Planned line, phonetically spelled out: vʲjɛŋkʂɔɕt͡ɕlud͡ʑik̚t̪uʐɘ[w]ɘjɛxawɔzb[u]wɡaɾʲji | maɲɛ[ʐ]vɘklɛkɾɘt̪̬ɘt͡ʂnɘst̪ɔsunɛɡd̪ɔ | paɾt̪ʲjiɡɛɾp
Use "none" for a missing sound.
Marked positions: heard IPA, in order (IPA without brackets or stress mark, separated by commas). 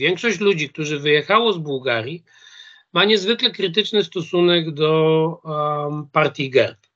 v, u, z